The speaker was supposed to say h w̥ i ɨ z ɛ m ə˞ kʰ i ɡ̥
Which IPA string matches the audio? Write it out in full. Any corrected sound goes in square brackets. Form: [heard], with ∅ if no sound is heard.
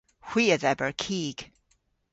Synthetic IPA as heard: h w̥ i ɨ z ɛ [b] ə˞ kʰ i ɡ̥